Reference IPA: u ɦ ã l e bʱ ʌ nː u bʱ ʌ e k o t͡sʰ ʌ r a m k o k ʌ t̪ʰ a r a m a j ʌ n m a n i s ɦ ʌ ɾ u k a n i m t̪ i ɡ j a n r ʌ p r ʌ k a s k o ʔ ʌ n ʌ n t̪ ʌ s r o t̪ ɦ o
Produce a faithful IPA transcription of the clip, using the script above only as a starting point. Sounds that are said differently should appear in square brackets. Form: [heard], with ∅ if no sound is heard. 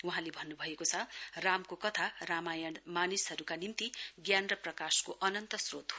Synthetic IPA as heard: u ɦ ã l e bʱ ʌ nː u bʱ ʌ e k o t͡sʰ ʌ r a m k o k ʌ t̪ʰ a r a m a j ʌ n m a n i s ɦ ʌ ɾ u k a n i m t̪ i ɡ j a n r ʌ p r ʌ k a s k o ʔ ʌ n ʌ n t̪ ʌ s r o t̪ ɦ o

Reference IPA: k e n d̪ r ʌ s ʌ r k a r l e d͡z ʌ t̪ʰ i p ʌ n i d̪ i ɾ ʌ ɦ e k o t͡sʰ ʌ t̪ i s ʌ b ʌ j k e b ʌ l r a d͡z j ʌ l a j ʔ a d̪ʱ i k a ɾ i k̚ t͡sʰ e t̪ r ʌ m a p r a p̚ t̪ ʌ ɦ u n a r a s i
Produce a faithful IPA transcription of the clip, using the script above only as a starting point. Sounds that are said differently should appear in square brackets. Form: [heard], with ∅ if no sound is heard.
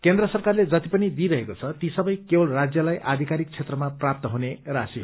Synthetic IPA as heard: k e n d̪ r ʌ s ʌ r k a r l e d͡z ʌ [t̪] i p ʌ n i d̪ i ɾ ʌ ɦ e k o t͡sʰ ʌ t̪ i s ʌ b ʌ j k e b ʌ l r a d͡z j ʌ l a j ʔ a d̪ʱ i k a ɾ i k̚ t͡sʰ e t̪ r ʌ m a p r a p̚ t̪ ʌ ɦ u n [e] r a s i

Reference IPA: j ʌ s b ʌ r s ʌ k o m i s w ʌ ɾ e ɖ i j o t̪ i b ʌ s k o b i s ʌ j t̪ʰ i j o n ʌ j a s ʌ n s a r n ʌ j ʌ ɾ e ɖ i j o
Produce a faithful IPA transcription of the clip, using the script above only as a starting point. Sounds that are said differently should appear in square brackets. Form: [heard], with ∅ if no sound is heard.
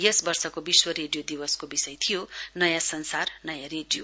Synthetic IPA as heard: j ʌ s b ʌ r s ʌ k o [b] i s w ʌ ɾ e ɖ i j o [d̪] i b ʌ s k o b i s ʌ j t̪ʰ i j o n ʌ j a s ʌ n s a r n ʌ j [a] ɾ e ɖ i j o

